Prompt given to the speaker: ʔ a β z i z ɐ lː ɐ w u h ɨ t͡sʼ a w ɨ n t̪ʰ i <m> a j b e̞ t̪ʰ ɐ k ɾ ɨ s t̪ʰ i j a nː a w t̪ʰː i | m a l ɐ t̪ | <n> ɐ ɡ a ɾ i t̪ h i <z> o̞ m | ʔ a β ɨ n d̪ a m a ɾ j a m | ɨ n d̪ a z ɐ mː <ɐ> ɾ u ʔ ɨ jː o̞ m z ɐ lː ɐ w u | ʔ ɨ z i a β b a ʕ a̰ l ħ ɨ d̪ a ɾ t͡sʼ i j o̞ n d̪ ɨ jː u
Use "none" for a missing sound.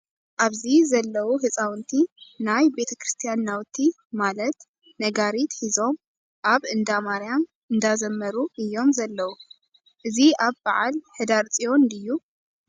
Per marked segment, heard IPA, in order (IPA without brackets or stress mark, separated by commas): n, n, z, ɐ